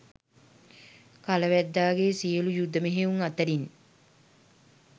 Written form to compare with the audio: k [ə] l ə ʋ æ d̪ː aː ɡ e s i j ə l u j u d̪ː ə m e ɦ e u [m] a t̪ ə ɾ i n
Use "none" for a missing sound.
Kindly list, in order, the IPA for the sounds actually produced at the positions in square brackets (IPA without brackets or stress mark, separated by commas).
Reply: a, ŋ